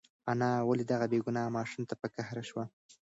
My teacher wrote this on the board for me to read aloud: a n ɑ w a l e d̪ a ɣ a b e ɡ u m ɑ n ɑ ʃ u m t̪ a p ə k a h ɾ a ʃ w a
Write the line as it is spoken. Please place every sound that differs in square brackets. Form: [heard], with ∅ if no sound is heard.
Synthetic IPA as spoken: a n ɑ w a l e d̪ a ɣ a b e ɡ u [n] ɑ [m] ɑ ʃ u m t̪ a p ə k a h ɾ a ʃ w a